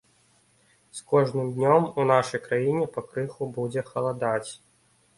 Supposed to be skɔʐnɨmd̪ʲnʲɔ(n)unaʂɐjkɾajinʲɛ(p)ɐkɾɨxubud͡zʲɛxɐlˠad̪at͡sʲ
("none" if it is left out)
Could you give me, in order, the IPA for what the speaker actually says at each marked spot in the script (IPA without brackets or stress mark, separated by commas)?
m, p